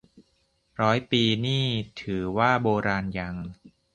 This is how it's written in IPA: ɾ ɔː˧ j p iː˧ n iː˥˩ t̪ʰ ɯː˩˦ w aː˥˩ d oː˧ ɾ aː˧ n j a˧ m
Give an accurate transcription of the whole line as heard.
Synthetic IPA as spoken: ɾ ɔː˦˥ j p iː˧ n iː˥˩ t̪ʰ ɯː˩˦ w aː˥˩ b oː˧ ɾ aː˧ n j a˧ ŋ